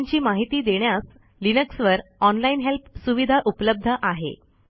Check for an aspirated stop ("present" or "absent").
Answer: absent